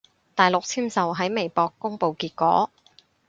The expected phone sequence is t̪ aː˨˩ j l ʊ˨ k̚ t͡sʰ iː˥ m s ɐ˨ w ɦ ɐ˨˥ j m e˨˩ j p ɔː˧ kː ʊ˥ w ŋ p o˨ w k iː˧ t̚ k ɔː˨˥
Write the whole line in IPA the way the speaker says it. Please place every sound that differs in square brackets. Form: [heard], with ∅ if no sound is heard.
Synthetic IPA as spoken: t̪ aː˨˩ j l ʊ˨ k̚ t͡sʰ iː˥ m s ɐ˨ w ɦ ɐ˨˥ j m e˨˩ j p ɔː˧ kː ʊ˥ [∅] ŋ p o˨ w k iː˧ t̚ k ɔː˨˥